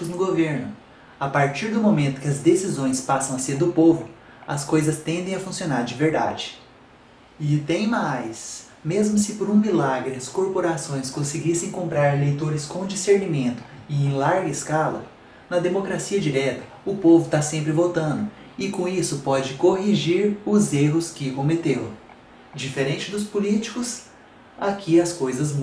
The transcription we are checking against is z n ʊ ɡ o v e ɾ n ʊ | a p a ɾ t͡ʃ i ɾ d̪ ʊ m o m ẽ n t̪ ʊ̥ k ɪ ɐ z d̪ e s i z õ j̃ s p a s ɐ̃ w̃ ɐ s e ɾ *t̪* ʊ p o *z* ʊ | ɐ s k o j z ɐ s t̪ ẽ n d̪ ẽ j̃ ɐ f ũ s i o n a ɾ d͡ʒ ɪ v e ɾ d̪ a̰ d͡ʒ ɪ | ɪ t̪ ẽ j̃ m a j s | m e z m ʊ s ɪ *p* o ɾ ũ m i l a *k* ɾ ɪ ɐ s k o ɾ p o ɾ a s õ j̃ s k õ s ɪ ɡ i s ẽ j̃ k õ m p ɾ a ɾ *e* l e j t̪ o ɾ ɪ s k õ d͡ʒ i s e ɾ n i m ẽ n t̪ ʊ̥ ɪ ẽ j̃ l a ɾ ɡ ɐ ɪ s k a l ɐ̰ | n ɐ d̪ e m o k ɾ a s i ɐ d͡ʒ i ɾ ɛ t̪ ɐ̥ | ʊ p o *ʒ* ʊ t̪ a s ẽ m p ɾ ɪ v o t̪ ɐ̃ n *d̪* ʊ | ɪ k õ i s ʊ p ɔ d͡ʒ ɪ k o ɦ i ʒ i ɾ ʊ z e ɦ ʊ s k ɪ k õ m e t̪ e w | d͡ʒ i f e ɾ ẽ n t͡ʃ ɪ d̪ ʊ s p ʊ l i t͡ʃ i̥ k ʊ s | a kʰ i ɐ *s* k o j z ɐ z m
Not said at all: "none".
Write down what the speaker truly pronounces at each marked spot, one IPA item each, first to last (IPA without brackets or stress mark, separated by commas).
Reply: d̪, v, p, ɡ, e, v, d̪, s